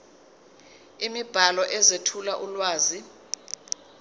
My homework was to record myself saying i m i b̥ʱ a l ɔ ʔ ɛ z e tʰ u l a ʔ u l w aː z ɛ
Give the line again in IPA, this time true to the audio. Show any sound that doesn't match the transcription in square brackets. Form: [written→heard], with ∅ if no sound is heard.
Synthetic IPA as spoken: i m i b̥ʱ a l ɔ ʔ ɛ z e tʰ u l a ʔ u l w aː z [ɛ→i]